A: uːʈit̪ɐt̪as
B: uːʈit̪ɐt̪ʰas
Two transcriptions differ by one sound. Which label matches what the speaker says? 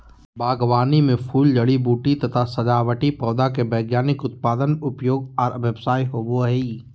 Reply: B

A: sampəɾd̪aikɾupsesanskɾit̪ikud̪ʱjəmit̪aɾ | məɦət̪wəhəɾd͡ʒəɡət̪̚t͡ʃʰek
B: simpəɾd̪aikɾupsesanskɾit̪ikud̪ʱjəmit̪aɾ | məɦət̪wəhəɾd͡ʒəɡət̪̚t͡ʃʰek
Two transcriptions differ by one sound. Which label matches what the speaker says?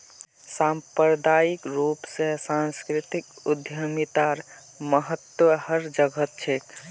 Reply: A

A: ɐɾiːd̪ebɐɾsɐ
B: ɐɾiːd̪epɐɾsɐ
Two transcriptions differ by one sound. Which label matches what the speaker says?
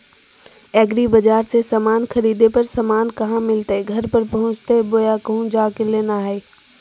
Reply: B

